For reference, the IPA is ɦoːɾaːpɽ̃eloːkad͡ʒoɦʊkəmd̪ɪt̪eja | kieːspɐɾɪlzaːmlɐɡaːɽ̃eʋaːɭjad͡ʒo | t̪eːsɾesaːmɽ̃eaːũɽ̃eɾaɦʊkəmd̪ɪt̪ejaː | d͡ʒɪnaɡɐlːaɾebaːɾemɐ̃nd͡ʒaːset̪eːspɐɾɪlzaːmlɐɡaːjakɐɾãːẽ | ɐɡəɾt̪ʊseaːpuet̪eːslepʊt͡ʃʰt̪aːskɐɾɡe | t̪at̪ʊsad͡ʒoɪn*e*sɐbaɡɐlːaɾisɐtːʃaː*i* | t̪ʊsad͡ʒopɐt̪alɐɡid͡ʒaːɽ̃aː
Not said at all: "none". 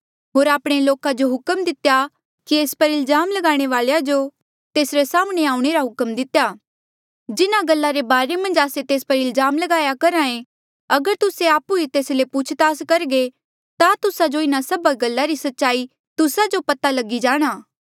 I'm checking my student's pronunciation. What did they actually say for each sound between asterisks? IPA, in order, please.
a, i

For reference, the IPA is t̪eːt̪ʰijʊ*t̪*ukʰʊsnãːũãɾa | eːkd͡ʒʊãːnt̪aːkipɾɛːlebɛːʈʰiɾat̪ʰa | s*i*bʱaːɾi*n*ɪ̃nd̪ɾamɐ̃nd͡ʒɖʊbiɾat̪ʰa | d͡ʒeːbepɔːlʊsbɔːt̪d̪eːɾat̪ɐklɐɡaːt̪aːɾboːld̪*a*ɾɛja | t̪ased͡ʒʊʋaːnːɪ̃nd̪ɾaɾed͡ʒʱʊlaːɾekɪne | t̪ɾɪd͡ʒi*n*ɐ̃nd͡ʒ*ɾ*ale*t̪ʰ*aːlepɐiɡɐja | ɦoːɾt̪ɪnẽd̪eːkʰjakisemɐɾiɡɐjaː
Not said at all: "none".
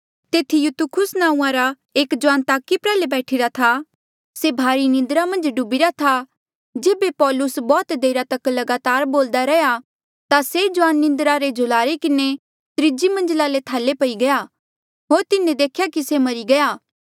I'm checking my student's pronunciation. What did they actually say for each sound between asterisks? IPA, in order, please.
t̪, e, n, a, m, l, t̪ʰ

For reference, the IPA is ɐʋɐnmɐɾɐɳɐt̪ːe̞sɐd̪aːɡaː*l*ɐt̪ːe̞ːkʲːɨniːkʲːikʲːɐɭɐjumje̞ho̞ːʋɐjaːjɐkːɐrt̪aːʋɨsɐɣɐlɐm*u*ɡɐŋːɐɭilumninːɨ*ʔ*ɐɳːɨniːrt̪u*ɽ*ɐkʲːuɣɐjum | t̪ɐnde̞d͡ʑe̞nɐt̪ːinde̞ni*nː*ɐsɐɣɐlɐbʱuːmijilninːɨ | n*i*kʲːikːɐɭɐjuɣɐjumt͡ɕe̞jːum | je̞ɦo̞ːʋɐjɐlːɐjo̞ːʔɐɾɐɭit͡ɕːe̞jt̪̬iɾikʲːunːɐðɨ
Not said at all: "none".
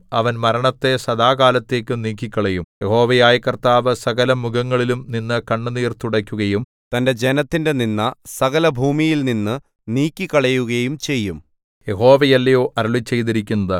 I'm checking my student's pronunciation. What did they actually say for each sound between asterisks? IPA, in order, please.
l, u, k, ɽ, nː, iː

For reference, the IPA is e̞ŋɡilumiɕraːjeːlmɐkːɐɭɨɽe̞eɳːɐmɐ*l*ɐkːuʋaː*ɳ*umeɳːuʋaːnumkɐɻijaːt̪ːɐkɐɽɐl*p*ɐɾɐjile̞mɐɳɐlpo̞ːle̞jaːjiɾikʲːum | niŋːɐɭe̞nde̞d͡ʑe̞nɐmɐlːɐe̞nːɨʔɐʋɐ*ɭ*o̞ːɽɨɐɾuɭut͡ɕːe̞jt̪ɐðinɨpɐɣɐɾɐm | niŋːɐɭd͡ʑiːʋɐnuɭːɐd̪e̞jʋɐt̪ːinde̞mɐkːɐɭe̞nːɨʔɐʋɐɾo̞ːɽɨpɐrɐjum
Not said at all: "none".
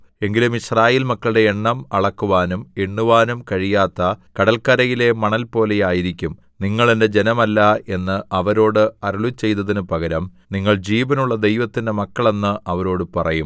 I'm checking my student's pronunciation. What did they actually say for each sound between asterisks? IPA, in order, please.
ɭ, n, k, ɾ

